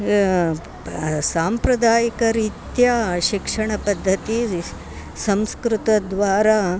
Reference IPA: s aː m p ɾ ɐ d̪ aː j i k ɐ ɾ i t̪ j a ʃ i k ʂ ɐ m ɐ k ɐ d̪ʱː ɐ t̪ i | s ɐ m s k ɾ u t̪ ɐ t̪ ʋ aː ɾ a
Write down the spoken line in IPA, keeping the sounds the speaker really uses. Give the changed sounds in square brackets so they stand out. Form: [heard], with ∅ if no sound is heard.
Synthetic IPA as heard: s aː m p ɾ ɐ d̪ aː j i k ɐ ɾ i t̪ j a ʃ i k ʂ ɐ [ɳ] ɐ [p] ɐ d̪ʱː ɐ t̪ i | s ɐ m s k ɾ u t̪ ɐ [d̪] ʋ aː ɾ a